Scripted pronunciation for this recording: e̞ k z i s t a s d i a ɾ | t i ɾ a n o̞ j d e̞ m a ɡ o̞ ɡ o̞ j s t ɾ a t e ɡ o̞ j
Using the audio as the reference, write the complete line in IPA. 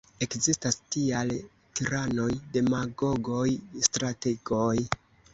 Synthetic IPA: e̞ k z i s t a s t i a l | t i ɾ a n o̞ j d e̞ m a ɡ o̞ ɡ o̞ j s t ɾ a t e ɡ o̞ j